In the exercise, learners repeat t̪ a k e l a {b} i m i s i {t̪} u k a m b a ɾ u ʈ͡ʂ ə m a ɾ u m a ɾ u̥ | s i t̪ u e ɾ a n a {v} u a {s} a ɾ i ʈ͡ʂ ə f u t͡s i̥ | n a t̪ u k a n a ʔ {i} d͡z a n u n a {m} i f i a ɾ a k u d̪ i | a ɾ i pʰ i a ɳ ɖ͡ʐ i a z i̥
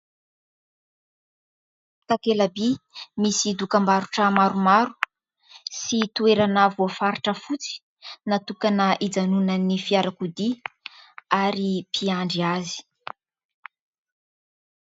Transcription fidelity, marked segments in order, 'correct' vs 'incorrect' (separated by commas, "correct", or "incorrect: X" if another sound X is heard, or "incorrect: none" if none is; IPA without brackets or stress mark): correct, incorrect: d̪, correct, incorrect: f, correct, incorrect: n